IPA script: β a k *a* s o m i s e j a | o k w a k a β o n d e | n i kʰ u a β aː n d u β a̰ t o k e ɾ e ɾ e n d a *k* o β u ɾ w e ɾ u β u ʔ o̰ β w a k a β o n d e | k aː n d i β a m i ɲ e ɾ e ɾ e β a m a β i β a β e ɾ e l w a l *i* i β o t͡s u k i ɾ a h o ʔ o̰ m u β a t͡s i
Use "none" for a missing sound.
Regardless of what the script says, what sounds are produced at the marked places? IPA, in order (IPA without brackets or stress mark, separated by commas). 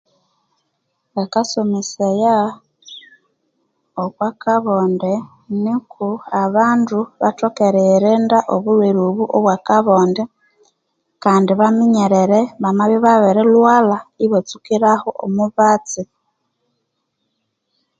a, ʔ, a